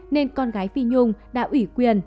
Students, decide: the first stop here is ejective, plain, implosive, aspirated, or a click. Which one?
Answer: plain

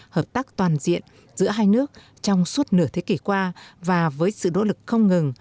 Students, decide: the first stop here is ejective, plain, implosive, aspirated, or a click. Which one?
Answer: plain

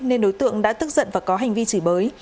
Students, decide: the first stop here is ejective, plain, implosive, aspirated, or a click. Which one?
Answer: implosive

